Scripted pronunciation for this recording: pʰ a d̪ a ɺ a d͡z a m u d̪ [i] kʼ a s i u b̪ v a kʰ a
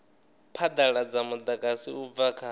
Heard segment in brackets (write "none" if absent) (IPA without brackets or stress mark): a